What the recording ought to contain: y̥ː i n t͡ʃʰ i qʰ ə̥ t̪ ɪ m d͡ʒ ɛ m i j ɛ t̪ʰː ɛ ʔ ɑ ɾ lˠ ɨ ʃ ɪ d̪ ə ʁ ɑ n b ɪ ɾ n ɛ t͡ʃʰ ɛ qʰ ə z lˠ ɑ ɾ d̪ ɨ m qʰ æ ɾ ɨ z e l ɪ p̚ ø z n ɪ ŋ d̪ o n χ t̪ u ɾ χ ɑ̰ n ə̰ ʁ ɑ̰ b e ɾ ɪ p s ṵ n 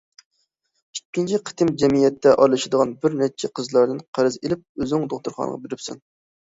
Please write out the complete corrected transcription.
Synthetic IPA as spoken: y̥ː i n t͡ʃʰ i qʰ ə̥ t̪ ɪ m d͡ʒ ɛ m i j ɛ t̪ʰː ɛ ʔ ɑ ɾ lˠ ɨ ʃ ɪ d̪ ə ʁ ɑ n b ɪ ɾ n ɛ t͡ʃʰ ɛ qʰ ə z lˠ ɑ ɾ d̪ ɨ n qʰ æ ɾ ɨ z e l ɪ p̚ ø z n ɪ ŋ d̪ o χ t̪ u ɾ χ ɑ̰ n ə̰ ʁ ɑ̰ b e ɾ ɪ p s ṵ n